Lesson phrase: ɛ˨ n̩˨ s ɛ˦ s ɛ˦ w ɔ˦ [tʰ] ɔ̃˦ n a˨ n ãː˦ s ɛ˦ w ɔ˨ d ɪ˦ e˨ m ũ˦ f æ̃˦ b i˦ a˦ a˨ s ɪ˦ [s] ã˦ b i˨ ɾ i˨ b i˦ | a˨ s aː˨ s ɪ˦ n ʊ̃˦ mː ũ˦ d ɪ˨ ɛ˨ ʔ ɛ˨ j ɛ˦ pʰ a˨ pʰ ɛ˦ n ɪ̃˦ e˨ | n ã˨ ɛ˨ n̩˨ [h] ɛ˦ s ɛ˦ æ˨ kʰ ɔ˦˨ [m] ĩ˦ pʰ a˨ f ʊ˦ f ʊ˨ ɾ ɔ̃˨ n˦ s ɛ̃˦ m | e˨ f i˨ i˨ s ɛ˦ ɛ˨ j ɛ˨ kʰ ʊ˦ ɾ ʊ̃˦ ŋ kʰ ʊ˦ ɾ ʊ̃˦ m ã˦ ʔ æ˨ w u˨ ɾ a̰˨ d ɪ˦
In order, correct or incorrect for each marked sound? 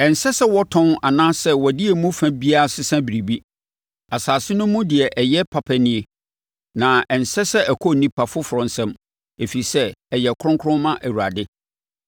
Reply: correct, correct, incorrect: s, incorrect: n

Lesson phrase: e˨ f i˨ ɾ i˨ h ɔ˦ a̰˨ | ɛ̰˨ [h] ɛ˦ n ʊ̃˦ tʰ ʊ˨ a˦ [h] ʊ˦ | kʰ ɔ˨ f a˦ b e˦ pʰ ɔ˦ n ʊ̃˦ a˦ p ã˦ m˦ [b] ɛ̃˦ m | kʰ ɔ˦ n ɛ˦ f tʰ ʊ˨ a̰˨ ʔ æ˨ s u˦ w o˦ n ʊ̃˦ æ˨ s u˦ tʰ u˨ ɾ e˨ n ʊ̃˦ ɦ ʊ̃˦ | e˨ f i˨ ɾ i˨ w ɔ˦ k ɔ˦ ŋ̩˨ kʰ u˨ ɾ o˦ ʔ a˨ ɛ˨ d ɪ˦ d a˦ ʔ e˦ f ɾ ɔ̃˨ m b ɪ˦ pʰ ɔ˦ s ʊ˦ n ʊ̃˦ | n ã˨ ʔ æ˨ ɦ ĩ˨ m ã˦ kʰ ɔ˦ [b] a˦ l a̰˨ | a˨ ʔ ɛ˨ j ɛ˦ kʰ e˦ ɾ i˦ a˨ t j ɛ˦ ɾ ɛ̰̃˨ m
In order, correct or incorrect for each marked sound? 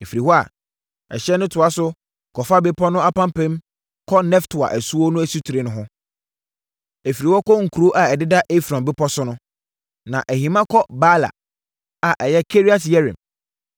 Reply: incorrect: ɕ, incorrect: s, incorrect: p, correct

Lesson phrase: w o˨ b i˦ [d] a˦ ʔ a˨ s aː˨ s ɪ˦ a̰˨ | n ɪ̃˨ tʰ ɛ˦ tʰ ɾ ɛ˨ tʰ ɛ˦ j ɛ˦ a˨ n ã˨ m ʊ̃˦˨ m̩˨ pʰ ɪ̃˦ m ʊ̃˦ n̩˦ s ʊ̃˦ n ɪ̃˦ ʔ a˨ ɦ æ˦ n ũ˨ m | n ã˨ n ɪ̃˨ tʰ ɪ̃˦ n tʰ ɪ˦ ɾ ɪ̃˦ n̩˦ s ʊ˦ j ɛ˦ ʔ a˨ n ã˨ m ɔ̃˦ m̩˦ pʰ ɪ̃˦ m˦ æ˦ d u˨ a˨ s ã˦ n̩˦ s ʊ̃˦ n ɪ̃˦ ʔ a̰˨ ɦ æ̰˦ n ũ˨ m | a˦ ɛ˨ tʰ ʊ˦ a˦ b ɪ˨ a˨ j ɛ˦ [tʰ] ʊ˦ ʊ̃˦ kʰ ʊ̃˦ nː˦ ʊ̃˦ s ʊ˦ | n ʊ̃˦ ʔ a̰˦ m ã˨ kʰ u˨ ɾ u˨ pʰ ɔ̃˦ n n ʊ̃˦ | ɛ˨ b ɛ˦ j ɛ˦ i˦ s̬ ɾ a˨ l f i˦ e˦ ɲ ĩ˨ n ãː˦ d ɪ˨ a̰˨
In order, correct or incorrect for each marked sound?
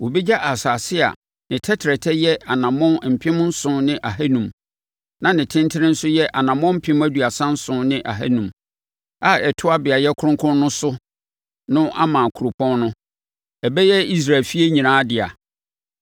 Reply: incorrect: d͡ʑ, incorrect: kʰ

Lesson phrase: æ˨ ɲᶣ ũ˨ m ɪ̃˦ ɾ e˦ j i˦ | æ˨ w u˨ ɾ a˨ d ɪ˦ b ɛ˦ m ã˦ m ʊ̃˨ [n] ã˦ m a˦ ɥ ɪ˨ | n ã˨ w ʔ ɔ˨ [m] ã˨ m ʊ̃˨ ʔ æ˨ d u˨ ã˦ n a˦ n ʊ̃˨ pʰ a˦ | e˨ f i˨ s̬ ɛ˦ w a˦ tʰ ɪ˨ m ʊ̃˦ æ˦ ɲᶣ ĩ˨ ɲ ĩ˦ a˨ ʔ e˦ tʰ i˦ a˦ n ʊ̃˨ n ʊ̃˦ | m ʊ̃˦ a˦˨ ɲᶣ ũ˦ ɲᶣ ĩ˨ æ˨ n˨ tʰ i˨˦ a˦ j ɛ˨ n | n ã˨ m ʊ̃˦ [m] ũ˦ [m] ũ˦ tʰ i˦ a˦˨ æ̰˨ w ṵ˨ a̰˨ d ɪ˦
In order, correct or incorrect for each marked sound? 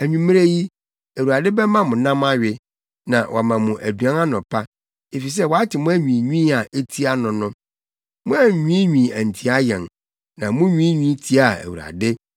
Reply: correct, correct, incorrect: ɲ, incorrect: ɲ

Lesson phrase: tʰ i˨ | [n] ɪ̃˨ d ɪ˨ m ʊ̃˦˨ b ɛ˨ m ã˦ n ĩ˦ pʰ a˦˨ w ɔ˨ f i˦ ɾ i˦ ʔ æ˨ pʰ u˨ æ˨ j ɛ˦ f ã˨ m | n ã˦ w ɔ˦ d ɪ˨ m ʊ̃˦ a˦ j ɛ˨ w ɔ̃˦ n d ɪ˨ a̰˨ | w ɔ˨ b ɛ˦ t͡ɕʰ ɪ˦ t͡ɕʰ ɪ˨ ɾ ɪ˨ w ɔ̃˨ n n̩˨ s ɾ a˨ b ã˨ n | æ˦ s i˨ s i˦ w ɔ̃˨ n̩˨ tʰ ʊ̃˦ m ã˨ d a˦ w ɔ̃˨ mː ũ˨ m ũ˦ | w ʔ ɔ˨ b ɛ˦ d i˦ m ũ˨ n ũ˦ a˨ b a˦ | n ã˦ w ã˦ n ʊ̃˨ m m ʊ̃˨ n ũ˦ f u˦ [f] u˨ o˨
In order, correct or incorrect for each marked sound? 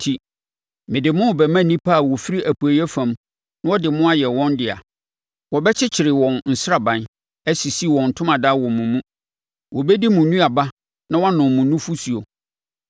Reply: incorrect: m, incorrect: s

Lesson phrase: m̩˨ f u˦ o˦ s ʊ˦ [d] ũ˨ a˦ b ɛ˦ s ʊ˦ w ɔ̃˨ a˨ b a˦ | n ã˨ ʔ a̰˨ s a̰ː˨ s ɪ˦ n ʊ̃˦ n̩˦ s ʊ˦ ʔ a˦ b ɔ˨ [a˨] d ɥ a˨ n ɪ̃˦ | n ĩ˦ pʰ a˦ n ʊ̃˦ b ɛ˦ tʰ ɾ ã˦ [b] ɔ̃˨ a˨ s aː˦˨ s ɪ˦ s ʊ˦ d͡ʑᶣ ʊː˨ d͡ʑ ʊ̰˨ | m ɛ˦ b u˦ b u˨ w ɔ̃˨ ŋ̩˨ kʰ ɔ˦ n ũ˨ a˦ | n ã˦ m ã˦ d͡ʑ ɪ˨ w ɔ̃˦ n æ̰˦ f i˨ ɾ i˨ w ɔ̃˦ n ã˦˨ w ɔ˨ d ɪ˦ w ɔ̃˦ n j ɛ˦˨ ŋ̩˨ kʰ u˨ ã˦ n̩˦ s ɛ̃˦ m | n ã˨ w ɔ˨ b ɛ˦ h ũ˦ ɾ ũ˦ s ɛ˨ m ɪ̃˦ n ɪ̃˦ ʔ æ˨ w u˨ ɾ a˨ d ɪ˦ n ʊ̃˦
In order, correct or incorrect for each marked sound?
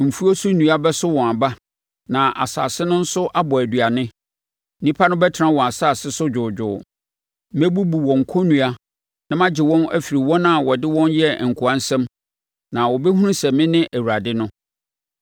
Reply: incorrect: n, incorrect: æ˨, incorrect: w

